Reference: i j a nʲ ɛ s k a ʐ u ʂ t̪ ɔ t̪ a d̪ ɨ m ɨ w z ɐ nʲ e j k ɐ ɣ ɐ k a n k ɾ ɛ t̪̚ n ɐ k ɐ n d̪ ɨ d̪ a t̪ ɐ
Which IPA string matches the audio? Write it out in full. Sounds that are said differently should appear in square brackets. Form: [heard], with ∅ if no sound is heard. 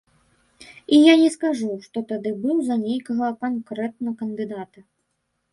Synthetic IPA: i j a nʲ ɛ s k a ʐ u ʂ t̪ ɔ t̪ a d̪ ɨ [b] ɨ w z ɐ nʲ e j k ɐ ɣ ɐ k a n k ɾ ɛ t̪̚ n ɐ k ɐ n d̪ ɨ d̪ a t̪ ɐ